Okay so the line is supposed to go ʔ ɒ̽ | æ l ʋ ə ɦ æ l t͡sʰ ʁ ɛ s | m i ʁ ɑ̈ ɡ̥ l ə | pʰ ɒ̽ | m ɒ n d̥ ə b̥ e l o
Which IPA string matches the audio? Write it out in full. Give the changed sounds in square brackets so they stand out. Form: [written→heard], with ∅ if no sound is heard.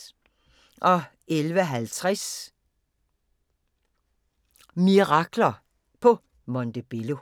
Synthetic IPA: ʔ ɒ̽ | [æ→e] l ʋ ə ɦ æ l t͡sʰ ʁ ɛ s | m i ʁ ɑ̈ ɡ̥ l [ə→ɐ] | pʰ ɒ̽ | m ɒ n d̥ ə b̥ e l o